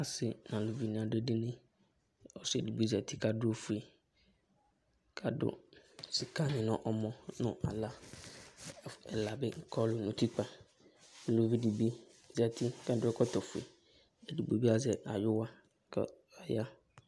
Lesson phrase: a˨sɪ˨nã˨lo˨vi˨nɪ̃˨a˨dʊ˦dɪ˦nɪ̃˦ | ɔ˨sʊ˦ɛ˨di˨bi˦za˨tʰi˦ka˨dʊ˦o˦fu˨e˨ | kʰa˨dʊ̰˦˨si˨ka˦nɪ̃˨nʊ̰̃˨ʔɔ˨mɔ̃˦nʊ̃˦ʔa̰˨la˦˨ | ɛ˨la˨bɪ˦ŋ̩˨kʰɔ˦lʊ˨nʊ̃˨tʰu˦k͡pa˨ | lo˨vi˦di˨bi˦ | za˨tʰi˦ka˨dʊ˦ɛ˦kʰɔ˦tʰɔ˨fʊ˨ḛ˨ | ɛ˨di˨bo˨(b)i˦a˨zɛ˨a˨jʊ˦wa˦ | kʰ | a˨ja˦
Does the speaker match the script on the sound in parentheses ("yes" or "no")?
yes